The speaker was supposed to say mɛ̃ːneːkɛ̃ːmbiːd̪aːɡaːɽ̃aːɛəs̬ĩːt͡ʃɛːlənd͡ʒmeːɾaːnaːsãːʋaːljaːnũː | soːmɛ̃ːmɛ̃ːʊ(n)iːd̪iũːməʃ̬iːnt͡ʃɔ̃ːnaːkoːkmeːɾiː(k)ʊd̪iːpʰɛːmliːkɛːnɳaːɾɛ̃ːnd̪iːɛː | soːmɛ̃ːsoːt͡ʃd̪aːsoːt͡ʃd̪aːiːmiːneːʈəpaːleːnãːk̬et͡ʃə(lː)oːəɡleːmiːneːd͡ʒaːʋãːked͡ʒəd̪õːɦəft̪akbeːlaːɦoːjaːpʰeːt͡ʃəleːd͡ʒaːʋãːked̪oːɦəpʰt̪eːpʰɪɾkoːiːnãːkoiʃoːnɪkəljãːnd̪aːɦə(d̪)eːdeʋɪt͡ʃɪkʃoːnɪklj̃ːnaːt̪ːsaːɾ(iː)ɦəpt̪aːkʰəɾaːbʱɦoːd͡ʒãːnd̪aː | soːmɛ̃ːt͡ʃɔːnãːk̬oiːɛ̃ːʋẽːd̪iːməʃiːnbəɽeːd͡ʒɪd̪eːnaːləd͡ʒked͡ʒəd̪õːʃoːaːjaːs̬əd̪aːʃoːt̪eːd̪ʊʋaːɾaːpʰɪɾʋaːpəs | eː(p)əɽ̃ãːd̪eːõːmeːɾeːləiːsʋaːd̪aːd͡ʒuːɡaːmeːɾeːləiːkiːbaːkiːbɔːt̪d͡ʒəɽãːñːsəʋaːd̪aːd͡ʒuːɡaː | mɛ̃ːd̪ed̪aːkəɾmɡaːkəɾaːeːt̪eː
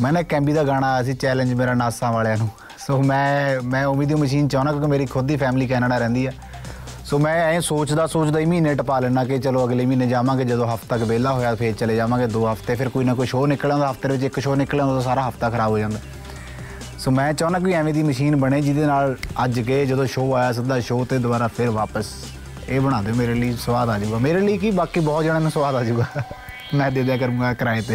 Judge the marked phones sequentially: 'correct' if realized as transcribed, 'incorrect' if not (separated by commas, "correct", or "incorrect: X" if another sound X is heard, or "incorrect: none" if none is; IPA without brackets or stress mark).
incorrect: m, incorrect: kʰ, incorrect: l, incorrect: t̪, incorrect: aː, incorrect: b